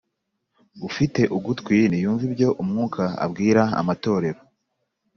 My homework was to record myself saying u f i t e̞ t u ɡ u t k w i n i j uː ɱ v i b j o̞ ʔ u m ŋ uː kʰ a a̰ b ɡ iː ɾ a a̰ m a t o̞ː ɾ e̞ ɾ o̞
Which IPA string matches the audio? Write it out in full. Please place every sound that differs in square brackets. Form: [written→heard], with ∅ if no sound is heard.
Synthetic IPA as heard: u f i t e̞ [t→ʔ] u ɡ u t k w i n i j uː ɱ v i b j o̞ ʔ u m ŋ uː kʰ a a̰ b ɡ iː ɾ a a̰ m a t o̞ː ɾ e̞ ɾ o̞